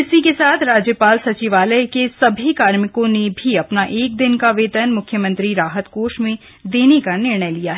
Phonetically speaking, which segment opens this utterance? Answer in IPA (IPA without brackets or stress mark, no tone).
ɪ